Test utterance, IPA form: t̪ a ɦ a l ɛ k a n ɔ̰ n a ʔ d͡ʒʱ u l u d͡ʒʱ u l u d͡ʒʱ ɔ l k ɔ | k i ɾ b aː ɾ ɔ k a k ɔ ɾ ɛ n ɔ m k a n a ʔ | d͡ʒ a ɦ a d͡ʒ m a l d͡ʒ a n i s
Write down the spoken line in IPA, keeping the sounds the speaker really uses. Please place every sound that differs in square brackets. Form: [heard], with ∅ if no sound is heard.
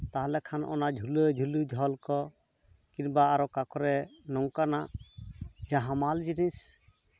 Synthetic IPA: t̪ a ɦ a l ɛ [kʰ] a n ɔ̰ n a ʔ d͡ʒʱ u l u d͡ʒʱ u l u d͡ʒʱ ɔ l k ɔ | k i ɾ b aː ɾ ɔ k a k ɔ ɾ ɛ n ɔ [ŋ] k a n a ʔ | d͡ʒ a ɦ a [∅] m a l d͡ʒ [i] n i s